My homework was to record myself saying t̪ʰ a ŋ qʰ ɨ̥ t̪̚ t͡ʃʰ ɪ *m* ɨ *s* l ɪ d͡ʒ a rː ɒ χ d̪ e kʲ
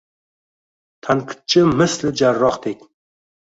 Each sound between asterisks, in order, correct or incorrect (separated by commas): correct, correct